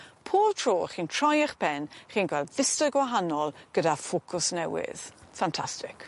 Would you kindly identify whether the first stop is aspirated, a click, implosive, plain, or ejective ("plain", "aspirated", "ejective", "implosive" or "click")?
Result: aspirated